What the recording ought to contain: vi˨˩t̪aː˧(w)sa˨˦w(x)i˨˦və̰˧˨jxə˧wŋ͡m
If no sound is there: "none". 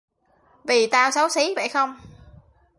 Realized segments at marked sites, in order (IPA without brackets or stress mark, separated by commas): w, s